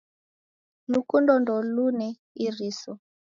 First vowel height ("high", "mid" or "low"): high